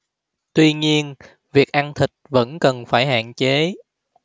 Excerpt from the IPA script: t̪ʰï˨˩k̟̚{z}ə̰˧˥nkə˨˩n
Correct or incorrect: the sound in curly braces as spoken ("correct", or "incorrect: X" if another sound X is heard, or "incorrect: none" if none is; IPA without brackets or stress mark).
incorrect: v